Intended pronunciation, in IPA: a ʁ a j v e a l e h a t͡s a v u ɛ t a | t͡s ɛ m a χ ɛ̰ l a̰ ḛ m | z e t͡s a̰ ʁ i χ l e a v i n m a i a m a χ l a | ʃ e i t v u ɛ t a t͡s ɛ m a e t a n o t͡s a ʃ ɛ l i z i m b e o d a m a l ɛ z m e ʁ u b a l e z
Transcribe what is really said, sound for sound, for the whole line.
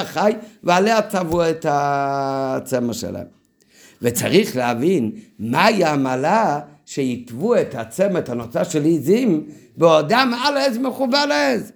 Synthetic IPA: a χ a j v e a l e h a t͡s a v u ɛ t a | t͡s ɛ m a ʃ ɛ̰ l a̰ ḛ m | v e t͡s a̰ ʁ i χ l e a v i n m a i a m a l a | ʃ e i t v u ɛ t a t͡s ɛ m a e t a n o t͡s a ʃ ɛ l i z i m b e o d a m a l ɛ z m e χ u b a l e z